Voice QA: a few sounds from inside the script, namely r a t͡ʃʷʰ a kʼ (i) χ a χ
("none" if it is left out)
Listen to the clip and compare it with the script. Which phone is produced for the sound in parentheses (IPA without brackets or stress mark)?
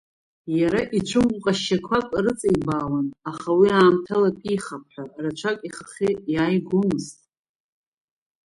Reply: i